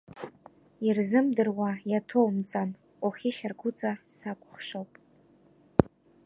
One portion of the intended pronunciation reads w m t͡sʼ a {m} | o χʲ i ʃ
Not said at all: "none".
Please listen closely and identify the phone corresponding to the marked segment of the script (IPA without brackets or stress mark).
n